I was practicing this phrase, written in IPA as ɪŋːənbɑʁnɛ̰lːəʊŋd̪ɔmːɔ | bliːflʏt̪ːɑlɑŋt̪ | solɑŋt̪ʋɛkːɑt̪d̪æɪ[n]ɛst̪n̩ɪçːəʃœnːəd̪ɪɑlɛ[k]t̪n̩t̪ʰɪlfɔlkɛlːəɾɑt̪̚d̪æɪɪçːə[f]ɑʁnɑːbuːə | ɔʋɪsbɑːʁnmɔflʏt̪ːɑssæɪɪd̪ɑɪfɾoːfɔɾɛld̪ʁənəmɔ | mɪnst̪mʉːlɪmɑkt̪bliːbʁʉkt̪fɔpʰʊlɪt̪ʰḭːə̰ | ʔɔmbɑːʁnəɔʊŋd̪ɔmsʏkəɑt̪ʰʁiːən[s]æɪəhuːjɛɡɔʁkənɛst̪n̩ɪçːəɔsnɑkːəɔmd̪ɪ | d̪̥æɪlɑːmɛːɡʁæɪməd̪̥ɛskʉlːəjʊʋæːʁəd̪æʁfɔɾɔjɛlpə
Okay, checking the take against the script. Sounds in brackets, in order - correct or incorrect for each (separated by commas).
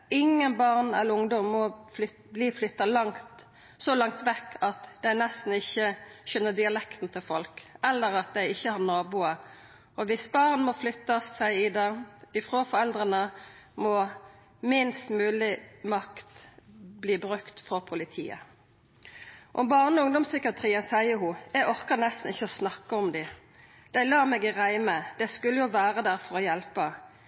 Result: correct, correct, incorrect, correct